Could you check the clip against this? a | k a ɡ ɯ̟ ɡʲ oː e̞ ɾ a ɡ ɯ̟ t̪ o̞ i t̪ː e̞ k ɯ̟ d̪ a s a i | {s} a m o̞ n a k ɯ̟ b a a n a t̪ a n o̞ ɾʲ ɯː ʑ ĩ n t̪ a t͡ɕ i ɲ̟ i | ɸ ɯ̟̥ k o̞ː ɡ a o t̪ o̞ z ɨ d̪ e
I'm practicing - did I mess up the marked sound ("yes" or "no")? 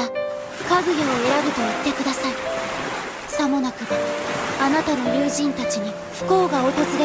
no